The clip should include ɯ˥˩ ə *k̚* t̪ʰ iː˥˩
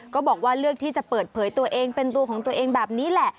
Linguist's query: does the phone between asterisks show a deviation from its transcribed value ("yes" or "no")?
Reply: no